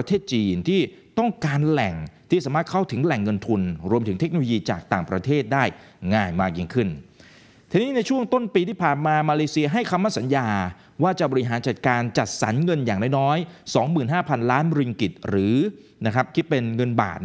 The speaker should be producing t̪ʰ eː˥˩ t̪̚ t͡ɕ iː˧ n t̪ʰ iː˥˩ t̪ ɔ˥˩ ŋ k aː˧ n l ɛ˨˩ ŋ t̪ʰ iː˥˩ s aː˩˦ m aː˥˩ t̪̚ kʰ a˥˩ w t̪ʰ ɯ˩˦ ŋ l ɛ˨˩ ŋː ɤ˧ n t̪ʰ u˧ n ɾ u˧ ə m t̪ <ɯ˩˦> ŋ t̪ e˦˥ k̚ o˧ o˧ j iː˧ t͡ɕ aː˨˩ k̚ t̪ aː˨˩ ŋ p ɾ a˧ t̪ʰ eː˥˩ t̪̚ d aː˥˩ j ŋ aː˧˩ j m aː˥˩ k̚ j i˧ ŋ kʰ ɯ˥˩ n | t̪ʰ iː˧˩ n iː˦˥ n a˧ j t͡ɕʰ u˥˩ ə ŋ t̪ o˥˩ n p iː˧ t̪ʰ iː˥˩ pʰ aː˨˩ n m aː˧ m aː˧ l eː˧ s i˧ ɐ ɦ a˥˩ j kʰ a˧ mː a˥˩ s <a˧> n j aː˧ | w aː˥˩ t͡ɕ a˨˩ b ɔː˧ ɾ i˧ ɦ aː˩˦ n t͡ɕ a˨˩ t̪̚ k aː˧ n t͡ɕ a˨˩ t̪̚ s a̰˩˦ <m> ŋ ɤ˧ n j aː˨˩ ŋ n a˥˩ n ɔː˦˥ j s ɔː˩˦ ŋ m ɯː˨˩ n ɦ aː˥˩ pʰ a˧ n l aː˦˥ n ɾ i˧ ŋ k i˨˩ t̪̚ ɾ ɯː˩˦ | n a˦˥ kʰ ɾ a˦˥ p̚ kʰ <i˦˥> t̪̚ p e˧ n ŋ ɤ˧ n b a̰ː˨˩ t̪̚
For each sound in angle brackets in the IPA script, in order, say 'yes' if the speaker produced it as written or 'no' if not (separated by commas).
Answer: yes, no, no, yes